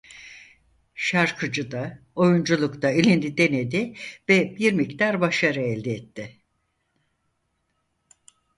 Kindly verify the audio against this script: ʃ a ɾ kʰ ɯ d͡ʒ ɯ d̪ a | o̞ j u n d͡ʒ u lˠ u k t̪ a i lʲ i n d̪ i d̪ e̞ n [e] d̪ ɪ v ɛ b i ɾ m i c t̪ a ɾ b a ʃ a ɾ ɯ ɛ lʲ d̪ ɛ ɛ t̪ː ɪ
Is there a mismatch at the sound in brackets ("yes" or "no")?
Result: no